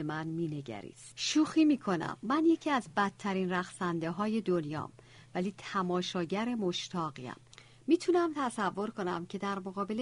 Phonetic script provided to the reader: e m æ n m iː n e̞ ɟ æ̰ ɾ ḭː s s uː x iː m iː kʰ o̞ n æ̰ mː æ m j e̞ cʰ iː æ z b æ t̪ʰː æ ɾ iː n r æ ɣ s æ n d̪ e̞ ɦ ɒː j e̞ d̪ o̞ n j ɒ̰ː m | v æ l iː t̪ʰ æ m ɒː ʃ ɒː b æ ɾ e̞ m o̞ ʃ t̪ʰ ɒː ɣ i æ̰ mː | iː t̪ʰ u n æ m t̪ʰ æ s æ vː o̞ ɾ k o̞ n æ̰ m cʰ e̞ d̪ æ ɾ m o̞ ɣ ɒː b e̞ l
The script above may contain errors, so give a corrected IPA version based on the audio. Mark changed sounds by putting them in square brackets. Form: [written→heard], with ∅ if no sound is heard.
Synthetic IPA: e m æ n m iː n e̞ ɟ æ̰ ɾ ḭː s [s→ʃ] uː x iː m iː kʰ o̞ n æ̰ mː æ [m→n] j e̞ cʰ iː æ z b æ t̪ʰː æ ɾ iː n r æ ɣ s æ n d̪ e̞ ɦ ɒː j e̞ d̪ o̞ n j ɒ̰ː m | v æ l iː t̪ʰ æ m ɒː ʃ ɒː [b→ɟ] æ ɾ e̞ m o̞ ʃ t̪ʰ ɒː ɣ i æ̰ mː | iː t̪ʰ u n æ m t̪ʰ æ s æ vː o̞ ɾ k o̞ n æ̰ m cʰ e̞ d̪ æ ɾ m o̞ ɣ ɒː b e̞ l